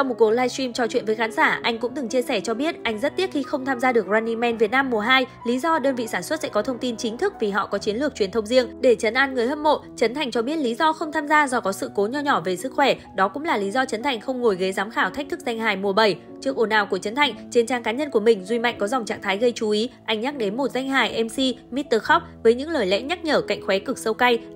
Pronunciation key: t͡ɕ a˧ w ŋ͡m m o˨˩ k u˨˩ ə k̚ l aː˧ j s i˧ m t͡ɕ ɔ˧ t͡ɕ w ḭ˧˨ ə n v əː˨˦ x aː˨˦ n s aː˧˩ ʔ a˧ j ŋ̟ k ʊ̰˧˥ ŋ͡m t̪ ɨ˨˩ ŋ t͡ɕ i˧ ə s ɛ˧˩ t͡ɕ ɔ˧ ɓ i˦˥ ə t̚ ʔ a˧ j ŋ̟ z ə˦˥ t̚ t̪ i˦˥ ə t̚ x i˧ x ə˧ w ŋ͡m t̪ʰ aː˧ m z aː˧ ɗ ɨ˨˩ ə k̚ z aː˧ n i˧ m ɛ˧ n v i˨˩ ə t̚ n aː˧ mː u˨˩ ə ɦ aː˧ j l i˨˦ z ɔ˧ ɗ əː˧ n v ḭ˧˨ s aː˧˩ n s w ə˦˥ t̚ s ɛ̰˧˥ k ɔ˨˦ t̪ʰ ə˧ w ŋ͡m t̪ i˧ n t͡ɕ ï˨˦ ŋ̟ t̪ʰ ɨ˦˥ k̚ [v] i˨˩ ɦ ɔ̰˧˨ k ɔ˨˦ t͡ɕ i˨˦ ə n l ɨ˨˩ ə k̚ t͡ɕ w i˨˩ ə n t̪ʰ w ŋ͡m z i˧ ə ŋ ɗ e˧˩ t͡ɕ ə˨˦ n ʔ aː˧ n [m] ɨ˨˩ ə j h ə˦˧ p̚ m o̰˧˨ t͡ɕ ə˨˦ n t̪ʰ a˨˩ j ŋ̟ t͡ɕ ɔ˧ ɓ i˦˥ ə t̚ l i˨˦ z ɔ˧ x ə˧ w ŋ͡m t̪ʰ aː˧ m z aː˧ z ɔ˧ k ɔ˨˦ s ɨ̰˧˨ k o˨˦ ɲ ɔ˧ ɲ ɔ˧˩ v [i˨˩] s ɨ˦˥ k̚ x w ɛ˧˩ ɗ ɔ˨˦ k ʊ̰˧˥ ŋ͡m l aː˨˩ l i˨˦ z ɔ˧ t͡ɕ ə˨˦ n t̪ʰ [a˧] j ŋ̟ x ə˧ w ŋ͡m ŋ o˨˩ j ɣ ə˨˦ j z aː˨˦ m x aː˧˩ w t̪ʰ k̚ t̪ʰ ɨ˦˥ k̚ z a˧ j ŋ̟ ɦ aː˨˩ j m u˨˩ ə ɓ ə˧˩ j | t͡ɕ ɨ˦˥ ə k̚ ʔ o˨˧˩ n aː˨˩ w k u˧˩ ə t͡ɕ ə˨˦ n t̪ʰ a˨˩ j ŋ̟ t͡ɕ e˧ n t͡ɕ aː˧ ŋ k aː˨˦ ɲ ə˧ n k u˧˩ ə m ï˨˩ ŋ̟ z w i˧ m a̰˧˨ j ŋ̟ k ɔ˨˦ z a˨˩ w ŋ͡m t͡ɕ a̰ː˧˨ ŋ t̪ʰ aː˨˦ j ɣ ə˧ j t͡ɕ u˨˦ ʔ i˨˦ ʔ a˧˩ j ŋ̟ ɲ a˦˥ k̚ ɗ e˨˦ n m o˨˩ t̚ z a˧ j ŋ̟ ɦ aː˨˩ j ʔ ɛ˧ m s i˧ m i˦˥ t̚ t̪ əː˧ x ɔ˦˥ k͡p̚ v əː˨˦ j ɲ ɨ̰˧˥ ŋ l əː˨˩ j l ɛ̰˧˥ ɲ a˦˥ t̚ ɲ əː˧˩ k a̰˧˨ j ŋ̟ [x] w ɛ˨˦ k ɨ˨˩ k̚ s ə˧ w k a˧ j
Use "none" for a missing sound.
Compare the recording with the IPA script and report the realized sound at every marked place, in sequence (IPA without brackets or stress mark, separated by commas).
v, ŋ, e˨˩, a˨˩, x